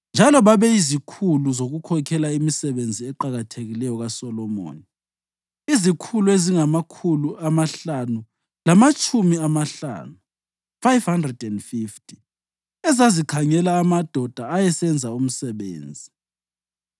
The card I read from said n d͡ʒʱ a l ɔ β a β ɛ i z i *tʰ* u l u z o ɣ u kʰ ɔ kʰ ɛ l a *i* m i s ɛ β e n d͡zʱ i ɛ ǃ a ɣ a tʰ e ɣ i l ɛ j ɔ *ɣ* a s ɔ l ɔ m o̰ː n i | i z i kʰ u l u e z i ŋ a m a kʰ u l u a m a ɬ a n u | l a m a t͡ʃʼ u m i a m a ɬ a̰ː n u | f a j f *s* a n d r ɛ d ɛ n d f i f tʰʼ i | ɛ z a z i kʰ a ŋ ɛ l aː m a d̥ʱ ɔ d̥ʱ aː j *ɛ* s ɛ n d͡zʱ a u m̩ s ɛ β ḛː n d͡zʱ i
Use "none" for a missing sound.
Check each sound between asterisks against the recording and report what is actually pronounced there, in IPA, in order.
kʰ, i, ɣ, h, ɛ

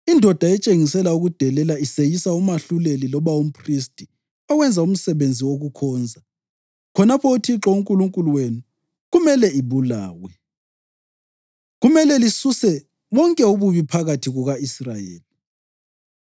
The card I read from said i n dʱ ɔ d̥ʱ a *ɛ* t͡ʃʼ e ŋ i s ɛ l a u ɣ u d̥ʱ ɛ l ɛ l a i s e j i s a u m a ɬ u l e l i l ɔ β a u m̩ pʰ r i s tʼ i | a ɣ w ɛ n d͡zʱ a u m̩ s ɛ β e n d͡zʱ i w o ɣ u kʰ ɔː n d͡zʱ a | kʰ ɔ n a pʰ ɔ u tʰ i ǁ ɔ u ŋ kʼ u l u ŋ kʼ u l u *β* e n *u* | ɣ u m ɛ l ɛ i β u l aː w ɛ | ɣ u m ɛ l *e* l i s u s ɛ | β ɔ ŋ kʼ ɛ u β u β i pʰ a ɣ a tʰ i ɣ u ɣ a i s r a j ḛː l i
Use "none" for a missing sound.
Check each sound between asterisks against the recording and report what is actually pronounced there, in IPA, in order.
ɛ, w, u, ɛ

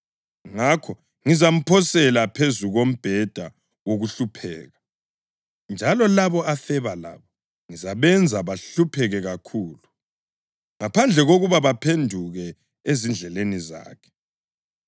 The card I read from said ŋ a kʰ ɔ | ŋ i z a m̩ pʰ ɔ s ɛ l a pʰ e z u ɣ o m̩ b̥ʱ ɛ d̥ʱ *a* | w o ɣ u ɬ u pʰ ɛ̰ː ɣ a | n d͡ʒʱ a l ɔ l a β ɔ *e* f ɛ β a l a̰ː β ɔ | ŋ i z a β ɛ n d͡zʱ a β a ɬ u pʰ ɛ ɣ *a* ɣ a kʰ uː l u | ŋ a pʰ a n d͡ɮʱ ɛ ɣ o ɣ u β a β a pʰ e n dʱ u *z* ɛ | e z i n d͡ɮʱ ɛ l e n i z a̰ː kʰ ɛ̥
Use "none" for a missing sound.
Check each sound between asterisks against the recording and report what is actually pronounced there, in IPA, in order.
a, a, ɛ, ɣ

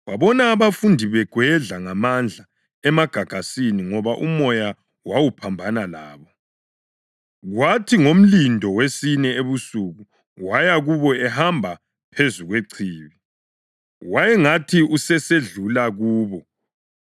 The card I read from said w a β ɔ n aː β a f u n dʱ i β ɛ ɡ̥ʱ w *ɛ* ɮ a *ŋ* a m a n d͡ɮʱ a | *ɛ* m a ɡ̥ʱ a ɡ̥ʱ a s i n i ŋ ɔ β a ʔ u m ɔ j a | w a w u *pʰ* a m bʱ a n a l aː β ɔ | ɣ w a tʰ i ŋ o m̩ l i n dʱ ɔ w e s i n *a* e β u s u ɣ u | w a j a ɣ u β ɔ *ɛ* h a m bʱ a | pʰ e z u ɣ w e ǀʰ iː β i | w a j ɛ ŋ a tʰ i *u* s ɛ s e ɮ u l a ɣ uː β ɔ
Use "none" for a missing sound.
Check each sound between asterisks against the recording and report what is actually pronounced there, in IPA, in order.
ɛ, ŋ, ɛ, pʰ, ɛ, ɛ, u

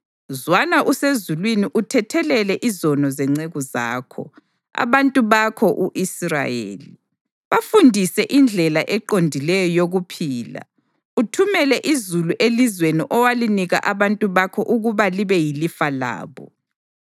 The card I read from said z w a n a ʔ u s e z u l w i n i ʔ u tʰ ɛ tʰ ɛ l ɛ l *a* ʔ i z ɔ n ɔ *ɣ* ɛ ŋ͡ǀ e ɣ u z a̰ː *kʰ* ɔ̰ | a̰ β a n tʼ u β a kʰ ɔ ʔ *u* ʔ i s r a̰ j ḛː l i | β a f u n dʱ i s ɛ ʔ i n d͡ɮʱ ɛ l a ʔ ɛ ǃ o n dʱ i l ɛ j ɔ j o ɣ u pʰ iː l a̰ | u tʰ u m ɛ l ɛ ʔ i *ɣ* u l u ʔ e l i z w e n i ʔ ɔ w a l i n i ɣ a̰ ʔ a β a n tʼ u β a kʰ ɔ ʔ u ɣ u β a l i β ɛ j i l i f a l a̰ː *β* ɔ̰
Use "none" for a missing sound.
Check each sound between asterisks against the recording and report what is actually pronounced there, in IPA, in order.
ɛ, z, kʰ, u, z, β

